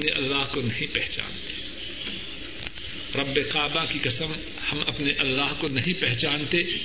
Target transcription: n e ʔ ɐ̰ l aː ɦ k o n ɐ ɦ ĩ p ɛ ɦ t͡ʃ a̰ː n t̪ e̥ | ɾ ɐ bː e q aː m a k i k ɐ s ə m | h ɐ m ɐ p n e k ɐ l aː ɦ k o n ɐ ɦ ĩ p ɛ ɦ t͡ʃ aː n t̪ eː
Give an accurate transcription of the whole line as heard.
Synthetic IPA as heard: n e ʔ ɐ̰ lː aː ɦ k o n ɐ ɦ ĩ p ɛ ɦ t͡ʃ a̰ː n t̪ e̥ | ɾ ɐ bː e q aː b a k i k ɐ s ə m | h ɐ m ɐ p n e ʔ ɐ lː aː ɦ k o n ɐ ɦ ĩ p ɛ ɦ t͡ʃ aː n t̪ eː